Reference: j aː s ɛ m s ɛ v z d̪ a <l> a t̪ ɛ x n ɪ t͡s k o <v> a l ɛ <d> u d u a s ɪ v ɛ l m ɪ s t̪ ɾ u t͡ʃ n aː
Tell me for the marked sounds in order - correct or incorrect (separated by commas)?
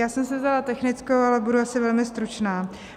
correct, incorrect, incorrect